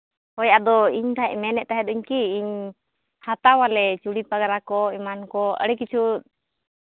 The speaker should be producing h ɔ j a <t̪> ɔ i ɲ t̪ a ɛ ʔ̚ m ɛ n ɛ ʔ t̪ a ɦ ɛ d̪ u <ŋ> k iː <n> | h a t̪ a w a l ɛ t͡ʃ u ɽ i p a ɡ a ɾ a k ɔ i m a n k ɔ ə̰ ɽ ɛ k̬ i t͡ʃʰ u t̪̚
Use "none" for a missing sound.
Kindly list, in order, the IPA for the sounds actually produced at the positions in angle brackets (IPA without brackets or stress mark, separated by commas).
d̪, ɲ, ɲ